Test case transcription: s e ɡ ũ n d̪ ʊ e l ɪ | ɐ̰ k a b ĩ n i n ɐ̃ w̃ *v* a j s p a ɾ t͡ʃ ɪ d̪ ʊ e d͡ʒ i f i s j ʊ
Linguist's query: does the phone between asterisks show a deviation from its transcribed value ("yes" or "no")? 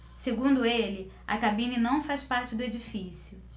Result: yes